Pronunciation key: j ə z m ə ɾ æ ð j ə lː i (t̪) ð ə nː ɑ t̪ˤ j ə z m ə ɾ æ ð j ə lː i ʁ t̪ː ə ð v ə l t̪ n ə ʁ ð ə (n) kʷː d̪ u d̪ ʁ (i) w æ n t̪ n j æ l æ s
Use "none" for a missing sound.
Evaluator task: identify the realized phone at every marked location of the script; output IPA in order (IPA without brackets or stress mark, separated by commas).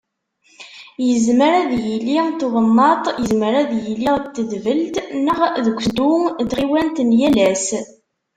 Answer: t̪, none, i